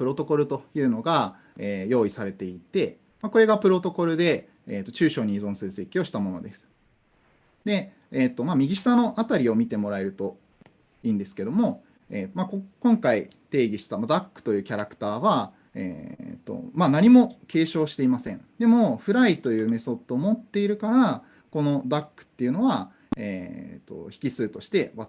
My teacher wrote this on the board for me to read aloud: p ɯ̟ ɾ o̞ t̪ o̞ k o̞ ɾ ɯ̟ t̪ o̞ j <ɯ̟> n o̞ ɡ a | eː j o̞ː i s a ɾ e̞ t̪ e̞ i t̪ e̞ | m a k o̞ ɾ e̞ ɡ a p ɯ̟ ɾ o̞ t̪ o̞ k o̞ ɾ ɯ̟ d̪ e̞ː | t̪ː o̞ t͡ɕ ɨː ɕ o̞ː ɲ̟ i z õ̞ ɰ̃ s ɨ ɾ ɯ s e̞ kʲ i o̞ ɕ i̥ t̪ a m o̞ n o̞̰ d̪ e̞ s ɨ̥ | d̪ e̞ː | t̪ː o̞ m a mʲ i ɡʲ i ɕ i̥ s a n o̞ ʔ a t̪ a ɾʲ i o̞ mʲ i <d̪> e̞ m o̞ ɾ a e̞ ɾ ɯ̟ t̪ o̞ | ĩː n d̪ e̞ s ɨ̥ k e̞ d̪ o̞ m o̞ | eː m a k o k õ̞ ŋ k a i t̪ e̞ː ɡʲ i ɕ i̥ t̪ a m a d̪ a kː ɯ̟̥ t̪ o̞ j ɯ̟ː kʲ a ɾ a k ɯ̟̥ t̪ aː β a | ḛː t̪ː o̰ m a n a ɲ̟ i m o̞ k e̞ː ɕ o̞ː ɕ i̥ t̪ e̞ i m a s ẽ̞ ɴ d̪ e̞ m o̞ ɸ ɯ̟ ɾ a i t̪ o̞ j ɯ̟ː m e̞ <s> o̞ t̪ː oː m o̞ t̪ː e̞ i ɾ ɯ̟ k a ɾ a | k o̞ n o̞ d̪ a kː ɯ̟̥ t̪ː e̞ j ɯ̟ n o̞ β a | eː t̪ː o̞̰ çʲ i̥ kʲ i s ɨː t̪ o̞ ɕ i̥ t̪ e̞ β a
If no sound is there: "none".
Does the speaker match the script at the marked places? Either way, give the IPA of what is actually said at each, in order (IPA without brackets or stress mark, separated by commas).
ɯ̟ː, t̪, s